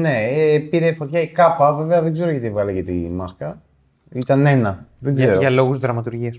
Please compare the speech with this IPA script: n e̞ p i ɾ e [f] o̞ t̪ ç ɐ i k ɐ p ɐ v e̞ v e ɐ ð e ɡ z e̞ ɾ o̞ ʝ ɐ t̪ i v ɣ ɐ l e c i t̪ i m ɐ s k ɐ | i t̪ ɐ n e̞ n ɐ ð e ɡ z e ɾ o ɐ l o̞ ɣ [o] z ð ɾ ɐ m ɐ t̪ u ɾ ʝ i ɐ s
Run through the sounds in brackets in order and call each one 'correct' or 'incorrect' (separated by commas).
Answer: correct, incorrect